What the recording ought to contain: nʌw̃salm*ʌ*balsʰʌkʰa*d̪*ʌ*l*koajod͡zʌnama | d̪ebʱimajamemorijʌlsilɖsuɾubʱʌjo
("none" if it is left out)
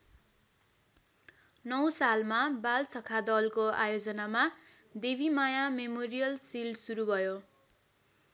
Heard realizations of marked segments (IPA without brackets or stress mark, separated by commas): a, d̪, l